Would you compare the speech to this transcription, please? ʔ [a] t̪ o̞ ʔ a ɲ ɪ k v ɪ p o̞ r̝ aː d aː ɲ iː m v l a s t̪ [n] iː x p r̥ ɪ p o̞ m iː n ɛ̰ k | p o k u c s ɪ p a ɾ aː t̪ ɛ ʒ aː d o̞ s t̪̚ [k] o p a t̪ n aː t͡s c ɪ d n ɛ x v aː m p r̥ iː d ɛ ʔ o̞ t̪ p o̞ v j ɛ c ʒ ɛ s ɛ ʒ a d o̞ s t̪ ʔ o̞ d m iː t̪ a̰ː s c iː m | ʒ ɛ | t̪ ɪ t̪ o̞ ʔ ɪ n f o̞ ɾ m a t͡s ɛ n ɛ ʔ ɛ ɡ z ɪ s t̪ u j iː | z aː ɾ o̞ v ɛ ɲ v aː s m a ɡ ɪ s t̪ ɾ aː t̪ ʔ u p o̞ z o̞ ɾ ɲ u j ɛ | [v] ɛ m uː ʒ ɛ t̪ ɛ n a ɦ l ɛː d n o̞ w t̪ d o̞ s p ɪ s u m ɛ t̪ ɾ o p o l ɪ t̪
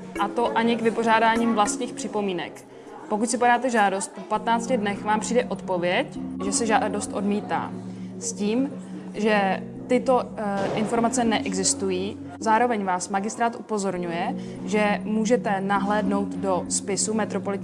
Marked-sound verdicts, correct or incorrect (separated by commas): correct, incorrect, incorrect, incorrect